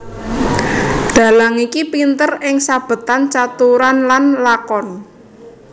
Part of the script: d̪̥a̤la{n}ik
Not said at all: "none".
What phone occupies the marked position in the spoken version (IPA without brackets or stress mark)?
ŋ